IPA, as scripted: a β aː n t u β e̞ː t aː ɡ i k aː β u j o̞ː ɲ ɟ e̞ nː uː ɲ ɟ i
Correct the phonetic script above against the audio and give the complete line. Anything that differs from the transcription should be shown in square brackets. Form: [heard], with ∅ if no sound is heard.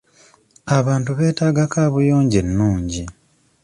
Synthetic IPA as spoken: a β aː n t u β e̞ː t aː ɡ [a] k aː β u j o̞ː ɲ ɟ e̞ nː uː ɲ ɟ i